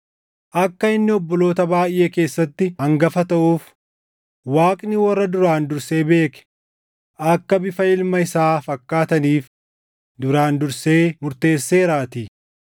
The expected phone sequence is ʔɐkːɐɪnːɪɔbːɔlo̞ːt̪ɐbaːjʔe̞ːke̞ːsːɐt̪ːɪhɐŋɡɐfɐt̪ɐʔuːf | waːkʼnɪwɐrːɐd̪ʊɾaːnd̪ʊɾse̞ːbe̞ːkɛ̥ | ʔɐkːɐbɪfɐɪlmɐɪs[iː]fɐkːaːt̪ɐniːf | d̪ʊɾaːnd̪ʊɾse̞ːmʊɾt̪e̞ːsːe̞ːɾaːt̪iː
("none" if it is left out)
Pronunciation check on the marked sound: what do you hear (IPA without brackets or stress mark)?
aː